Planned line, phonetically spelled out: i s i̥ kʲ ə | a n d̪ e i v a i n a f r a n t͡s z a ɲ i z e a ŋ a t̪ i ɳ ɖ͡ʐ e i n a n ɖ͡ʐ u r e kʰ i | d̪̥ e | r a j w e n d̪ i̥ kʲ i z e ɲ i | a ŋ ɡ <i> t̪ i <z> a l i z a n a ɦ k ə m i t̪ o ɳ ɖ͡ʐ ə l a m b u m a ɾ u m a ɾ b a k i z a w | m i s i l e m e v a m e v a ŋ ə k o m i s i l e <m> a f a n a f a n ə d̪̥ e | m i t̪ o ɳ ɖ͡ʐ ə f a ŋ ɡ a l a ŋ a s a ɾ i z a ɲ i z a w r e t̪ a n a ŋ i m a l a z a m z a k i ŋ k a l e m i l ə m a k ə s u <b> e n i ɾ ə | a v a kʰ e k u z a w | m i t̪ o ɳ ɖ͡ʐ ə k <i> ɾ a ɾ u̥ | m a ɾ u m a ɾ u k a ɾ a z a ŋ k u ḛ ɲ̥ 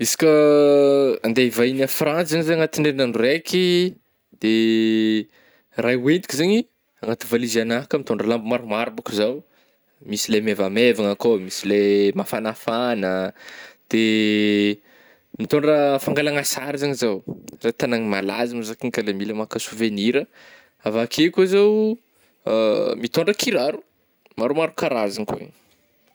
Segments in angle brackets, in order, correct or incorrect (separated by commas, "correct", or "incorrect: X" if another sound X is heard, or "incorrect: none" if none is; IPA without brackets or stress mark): incorrect: a, incorrect: v, correct, incorrect: v, correct